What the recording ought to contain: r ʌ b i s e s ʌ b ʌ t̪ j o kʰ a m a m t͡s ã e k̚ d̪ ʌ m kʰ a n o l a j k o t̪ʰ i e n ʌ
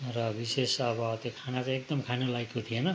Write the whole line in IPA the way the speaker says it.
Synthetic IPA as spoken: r ʌ b i s e s ʌ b ʌ t̪ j o kʰ a n a t͡s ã e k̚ d̪ ʌ m kʰ a n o l a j k o t̪ʰ i e n ʌ